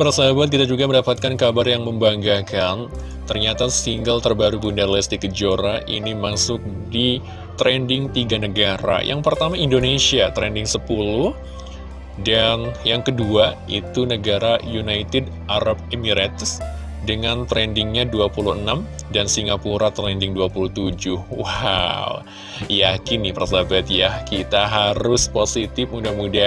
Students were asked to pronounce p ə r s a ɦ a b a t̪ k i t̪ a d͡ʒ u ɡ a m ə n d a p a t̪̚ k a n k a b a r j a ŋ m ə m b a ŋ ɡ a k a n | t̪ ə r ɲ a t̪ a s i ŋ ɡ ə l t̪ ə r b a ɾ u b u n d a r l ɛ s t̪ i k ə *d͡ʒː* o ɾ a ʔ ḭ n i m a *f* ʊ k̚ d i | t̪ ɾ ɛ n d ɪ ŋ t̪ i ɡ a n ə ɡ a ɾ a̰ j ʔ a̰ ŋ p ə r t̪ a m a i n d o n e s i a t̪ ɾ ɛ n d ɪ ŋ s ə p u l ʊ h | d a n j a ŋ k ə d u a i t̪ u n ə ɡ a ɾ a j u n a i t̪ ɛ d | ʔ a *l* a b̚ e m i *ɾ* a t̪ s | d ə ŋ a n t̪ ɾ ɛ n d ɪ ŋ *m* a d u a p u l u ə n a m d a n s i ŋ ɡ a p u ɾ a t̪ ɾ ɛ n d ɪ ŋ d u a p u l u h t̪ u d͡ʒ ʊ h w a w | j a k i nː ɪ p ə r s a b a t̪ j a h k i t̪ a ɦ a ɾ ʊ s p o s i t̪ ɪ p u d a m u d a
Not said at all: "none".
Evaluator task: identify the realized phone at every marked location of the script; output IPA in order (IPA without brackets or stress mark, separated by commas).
d͡ʒ, s, ɾ, ɾ, ɲ